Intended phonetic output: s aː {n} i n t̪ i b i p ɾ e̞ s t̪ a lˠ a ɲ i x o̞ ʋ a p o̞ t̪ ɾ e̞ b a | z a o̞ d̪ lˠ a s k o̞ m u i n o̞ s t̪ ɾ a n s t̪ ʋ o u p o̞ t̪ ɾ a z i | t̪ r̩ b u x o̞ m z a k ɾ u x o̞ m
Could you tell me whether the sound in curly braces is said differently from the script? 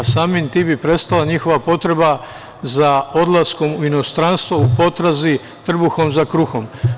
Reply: yes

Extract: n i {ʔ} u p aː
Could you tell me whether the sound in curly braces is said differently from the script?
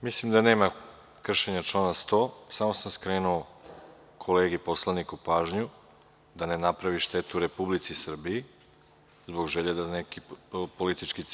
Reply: yes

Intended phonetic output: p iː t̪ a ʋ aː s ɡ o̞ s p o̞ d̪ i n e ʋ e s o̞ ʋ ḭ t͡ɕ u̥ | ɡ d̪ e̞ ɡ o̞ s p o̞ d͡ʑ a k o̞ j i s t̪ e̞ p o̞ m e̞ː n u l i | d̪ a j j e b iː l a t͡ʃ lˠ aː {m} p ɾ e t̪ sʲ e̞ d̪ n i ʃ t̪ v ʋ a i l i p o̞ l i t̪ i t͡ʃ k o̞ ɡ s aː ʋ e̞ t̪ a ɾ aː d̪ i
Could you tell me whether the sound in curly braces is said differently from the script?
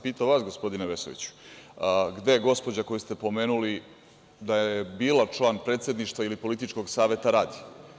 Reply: yes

